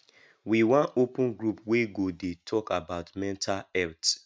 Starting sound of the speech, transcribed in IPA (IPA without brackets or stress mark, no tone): w